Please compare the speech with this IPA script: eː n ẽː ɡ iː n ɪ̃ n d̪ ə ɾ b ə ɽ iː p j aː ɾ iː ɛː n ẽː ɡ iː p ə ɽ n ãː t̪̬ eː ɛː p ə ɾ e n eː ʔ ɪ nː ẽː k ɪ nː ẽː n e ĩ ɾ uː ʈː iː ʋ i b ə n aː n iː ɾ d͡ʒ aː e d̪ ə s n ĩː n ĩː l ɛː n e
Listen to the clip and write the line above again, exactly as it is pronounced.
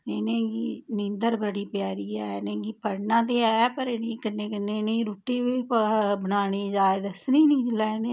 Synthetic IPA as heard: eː n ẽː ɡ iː n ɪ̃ n d̪ ə ɾ b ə ɽ iː p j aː ɾ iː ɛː n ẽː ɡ iː p ə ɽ n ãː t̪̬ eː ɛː p ə ɾ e n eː k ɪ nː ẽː k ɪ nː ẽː n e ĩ ɾ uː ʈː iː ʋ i b ə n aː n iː d͡ʒ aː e d̪ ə s n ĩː n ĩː l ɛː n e

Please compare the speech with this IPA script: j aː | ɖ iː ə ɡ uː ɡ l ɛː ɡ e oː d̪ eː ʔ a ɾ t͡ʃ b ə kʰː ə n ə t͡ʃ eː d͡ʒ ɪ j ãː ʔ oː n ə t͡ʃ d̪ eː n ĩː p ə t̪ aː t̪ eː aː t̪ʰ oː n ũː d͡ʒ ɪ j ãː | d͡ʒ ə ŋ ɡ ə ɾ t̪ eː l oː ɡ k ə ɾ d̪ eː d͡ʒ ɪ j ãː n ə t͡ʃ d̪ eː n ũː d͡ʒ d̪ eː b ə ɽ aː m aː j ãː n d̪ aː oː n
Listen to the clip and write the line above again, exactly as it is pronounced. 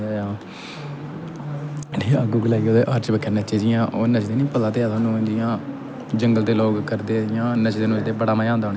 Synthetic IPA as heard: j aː | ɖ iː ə ɡ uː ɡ l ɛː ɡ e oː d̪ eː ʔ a ɾ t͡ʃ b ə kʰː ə n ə t͡ʃ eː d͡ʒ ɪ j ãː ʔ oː n ə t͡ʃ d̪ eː n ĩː p ə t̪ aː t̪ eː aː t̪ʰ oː n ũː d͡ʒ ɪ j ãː | d͡ʒ ə ŋ ɡ ə l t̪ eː l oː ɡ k ə ɾ d̪ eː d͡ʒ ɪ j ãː n ə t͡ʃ d̪ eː n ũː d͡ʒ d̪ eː b ə ɽ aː m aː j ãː n d̪ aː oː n

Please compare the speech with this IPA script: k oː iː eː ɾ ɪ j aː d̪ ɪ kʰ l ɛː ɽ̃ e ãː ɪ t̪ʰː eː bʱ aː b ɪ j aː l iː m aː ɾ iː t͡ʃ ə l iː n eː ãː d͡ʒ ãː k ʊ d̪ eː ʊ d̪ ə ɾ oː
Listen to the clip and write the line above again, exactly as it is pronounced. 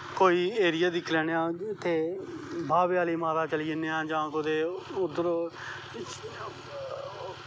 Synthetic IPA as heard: k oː iː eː ɾ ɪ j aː d̪ ɪ kʰ l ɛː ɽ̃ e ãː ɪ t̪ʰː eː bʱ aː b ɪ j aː l iː m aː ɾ aː t͡ʃ ə l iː n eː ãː d͡ʒ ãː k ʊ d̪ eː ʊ d̪ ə ɾ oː

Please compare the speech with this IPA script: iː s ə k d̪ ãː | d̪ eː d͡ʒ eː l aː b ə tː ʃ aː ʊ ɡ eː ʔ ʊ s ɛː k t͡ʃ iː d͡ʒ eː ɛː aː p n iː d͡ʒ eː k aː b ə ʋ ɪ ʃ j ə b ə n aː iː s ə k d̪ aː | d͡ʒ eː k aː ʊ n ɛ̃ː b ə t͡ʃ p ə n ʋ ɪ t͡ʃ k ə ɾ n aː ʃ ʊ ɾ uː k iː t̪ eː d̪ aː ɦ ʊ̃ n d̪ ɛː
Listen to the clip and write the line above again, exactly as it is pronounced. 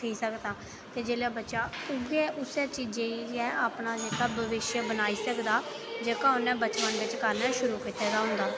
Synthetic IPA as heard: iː s ə k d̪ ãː | t̪ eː d͡ʒ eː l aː b ə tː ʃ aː ʊ ɡ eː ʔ ʊ s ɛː t͡ʃ iː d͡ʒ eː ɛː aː p n aː d͡ʒ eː k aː b ə ʋ ɪ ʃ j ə b ə n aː iː s ə k d̪ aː | d͡ʒ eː k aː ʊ n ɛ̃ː b ə t͡ʃ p ə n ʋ ɪ t͡ʃ k ə ɾ n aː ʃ ʊ ɾ uː k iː t̪ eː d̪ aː ɦ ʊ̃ n d̪ aː

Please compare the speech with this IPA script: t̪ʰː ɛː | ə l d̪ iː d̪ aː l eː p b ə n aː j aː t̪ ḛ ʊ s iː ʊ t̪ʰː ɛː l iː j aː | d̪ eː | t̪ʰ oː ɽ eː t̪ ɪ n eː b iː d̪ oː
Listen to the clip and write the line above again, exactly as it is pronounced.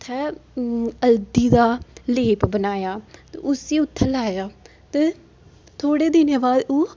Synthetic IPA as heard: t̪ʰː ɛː | ə l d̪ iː d̪ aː l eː p b ə n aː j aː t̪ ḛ ʊ s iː ʊ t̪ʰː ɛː l aː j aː | t̪ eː | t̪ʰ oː ɽ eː d̪ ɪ n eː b aː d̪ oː

